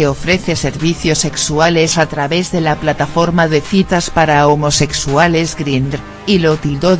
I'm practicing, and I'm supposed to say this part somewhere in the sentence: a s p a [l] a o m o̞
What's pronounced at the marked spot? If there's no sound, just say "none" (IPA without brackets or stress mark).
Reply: ɾ